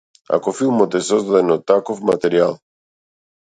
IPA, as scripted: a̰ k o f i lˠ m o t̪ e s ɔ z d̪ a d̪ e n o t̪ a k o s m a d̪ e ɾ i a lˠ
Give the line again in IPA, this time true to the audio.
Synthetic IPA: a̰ k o f i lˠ m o t̪ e s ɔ z d̪ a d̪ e n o t̪ a k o f m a t̪ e ɾ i a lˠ